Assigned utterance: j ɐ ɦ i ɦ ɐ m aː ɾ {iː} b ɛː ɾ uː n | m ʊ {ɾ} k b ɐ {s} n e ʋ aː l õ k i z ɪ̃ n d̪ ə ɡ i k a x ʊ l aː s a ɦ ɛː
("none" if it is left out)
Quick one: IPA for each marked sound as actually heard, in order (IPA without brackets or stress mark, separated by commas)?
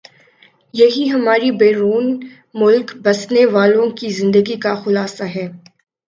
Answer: i, l, s